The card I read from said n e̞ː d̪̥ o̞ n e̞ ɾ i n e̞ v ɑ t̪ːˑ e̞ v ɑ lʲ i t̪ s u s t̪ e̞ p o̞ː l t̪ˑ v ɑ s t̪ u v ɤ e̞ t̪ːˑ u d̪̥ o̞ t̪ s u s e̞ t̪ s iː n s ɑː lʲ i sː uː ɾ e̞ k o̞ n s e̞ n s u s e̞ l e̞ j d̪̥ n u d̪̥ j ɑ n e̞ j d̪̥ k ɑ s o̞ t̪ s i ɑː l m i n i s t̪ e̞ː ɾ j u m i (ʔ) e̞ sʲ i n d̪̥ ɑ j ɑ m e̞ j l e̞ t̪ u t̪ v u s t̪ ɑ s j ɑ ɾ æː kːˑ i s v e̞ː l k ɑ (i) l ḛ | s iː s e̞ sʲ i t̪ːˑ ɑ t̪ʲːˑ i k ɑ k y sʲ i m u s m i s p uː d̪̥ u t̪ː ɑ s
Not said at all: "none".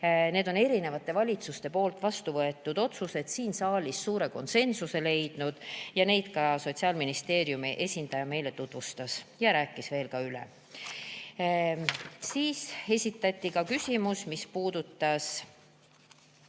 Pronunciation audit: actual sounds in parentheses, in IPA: ʔ, y

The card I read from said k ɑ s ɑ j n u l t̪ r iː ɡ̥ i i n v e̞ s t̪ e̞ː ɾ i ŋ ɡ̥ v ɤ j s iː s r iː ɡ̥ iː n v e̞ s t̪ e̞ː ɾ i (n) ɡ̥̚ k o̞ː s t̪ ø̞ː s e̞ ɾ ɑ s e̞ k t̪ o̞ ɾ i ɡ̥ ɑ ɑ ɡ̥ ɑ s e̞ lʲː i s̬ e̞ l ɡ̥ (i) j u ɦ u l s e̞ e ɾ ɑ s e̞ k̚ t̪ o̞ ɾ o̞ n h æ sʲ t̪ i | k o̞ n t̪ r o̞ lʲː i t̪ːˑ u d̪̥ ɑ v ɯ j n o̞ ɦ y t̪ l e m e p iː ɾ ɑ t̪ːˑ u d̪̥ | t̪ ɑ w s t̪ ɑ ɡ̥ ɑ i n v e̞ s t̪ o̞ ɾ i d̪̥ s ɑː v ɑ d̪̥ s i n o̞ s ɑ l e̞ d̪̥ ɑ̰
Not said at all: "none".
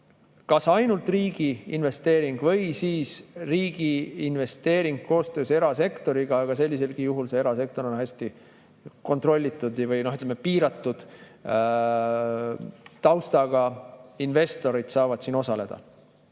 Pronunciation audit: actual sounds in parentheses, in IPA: ŋ, i

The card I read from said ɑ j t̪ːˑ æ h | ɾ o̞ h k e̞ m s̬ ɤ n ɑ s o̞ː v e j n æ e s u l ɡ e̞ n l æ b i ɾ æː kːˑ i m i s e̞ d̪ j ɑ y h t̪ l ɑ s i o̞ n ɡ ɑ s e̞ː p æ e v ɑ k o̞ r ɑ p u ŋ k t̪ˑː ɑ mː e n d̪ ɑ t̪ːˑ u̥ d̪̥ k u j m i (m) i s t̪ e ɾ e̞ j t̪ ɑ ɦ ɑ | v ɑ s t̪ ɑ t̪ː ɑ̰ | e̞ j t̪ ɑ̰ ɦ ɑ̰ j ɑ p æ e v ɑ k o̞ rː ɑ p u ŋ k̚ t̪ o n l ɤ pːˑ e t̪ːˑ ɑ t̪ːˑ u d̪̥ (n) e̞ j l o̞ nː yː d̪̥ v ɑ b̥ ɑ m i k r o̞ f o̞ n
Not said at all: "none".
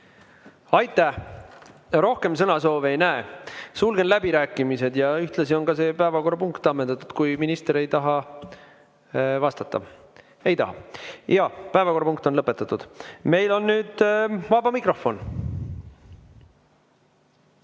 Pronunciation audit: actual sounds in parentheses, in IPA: n, m

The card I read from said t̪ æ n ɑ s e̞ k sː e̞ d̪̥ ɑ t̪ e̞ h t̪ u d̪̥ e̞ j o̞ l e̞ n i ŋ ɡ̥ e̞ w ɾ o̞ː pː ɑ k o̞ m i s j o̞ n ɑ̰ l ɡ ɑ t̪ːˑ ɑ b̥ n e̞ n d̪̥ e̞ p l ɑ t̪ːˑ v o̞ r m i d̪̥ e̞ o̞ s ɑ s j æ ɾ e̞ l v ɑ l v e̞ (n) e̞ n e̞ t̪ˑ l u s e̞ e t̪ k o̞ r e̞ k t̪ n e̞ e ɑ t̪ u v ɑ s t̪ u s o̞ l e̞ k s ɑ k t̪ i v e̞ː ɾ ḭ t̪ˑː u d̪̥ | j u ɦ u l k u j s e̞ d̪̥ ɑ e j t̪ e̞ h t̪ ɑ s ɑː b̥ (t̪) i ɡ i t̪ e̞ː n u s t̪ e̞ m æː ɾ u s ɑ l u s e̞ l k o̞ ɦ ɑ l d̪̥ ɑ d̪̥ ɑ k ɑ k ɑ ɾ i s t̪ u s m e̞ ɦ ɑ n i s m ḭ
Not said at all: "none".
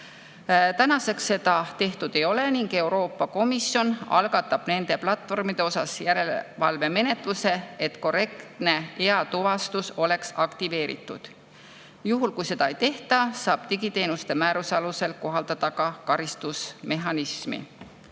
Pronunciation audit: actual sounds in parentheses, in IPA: m, t̪

